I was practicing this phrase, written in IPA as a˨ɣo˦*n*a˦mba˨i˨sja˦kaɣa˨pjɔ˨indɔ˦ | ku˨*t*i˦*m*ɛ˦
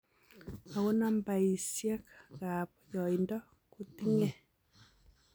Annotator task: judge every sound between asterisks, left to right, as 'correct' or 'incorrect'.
correct, correct, incorrect

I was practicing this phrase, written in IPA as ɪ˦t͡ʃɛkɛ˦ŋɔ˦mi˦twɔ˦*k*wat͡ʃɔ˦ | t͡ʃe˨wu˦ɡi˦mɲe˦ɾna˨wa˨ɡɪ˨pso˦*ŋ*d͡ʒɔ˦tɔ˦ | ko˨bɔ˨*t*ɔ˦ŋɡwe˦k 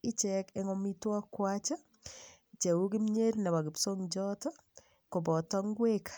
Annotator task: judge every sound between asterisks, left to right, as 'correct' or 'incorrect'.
correct, correct, correct

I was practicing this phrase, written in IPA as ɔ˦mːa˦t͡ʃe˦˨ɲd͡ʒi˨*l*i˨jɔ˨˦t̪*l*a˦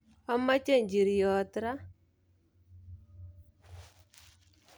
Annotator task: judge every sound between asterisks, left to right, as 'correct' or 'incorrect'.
incorrect, incorrect

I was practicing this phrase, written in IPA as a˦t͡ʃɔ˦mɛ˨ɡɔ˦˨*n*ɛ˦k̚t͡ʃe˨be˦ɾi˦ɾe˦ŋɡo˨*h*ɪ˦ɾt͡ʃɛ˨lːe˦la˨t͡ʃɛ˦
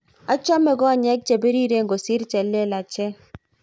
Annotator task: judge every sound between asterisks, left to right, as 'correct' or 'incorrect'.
incorrect, incorrect

